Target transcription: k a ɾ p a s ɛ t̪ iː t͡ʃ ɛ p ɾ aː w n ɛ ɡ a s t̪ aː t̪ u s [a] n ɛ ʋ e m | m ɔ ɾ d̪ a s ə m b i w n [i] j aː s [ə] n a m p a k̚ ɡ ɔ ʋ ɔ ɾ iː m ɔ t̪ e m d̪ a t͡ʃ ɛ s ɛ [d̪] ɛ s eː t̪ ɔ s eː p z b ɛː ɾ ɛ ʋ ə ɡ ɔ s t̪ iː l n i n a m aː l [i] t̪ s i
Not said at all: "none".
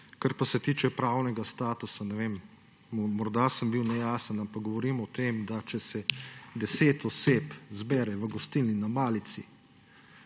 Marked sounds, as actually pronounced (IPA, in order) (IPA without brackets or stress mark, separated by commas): a, ɛ, ə, d̪, i